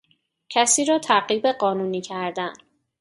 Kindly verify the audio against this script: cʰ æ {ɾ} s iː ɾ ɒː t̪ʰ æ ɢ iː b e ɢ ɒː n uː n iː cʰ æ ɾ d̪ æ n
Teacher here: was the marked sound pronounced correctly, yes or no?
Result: no